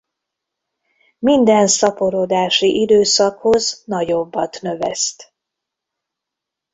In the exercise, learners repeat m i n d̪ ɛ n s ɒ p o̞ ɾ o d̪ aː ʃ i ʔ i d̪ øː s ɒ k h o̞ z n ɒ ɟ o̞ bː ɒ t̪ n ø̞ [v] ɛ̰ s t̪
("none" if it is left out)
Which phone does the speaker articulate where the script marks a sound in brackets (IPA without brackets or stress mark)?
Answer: v